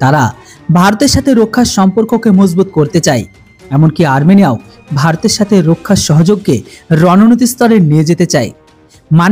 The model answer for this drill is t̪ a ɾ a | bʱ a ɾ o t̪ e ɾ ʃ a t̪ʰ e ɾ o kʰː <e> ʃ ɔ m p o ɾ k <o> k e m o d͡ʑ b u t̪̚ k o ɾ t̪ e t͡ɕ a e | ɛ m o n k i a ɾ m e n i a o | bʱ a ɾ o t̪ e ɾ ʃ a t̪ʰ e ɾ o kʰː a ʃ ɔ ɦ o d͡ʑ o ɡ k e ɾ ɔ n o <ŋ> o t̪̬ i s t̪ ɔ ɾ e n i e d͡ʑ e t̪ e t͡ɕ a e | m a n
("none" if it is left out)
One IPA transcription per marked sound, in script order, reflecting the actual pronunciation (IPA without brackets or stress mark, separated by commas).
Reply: a, o, n